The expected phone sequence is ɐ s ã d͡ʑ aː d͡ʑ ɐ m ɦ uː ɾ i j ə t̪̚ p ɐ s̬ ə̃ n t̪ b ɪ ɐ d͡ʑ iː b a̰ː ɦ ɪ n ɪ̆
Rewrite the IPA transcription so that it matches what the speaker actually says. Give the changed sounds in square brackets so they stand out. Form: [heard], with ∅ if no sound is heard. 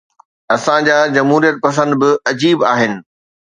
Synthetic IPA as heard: ɐ s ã d͡ʑ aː d͡ʑ ɐ m ɦ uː ɾ i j ə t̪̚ p ɐ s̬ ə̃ n [d̪] b ɪ ɐ d͡ʑ iː b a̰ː ɦ ɪ n ɪ̆